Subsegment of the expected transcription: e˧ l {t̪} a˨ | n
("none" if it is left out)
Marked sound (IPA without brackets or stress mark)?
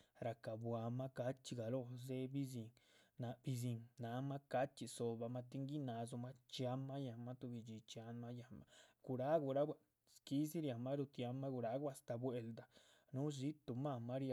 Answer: d̪